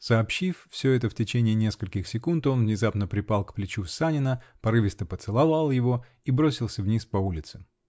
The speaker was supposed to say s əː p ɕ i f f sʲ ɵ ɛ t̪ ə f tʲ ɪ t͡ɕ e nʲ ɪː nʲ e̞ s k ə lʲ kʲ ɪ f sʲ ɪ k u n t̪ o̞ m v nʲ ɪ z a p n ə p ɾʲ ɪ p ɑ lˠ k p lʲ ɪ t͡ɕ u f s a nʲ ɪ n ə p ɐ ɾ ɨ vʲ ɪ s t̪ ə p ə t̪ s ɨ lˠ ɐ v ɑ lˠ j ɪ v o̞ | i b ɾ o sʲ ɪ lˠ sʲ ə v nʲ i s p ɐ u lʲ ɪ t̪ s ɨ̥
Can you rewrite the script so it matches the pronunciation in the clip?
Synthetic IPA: s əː p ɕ i f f sʲ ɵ ɛ t̪ ə f tʲ ɪ t͡ɕ e nʲ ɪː nʲ e̞ s k ə lʲ kʲ ɪ x sʲ ɪ k u n t̪ o̞ n v nʲ ɪ z a p n ə p ɾʲ ɪ p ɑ lˠ k p lʲ ɪ t͡ɕ u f s a nʲ ɪ n ə p ɐ ɾ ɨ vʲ ɪ s t̪ ə p ə t̪ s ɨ lˠ ɐ v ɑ lˠ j ɪ v o̞ | i b ɾ o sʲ ɪ lˠ sʲ ə v nʲ i s p ɐ u lʲ ɪ t̪ s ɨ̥